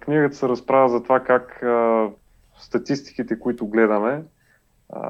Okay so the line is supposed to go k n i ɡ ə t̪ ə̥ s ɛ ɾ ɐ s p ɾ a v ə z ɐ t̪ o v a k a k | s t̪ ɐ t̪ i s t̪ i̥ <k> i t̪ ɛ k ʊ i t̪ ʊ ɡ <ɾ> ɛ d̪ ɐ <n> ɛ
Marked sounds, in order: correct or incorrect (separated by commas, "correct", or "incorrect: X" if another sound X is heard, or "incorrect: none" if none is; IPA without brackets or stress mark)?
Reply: correct, incorrect: l, incorrect: m